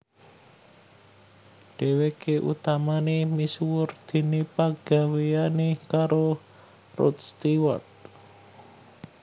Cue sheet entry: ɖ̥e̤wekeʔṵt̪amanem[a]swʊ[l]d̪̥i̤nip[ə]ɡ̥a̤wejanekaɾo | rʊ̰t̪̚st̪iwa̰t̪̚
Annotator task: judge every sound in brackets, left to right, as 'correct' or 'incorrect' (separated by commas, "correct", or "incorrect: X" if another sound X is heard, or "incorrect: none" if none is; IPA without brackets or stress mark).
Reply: incorrect: i, incorrect: r, incorrect: a